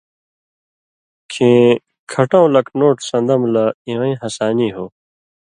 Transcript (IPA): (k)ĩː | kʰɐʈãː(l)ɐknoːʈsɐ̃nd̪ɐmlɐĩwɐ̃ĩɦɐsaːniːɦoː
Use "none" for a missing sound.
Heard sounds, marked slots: kʰ, l

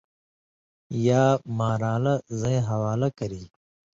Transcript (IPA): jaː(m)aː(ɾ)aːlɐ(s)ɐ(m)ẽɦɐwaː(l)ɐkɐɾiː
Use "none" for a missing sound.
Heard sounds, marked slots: m, ɾ, z, none, l

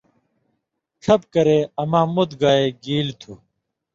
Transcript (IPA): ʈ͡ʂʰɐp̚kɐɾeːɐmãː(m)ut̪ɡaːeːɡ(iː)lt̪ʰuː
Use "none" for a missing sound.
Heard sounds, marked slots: m, iː

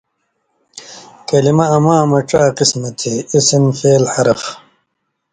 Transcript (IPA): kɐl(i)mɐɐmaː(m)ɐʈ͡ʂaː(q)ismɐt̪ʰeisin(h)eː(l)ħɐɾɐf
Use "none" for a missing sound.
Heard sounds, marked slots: i, m, q, f, l

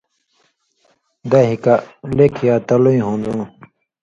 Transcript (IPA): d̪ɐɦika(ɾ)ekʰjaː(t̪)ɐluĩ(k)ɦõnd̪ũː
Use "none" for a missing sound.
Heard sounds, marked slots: l, t̪, none

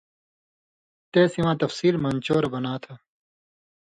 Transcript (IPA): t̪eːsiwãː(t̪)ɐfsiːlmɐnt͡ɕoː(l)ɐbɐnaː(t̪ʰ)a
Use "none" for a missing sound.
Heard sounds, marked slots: t̪, ɾ, t̪ʰ

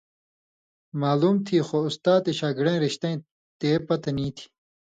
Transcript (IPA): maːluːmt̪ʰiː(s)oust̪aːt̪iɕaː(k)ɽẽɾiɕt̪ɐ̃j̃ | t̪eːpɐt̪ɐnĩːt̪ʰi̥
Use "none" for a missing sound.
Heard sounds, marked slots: x, ɡ

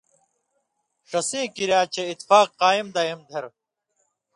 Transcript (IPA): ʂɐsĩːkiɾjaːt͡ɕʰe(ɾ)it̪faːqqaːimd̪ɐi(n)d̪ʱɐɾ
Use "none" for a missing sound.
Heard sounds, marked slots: none, m

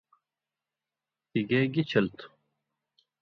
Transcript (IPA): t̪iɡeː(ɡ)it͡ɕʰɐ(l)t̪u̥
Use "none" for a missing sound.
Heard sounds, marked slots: ɡ, l

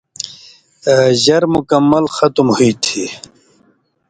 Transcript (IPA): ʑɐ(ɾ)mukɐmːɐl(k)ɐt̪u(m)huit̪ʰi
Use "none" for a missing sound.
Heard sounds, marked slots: ɾ, x, m

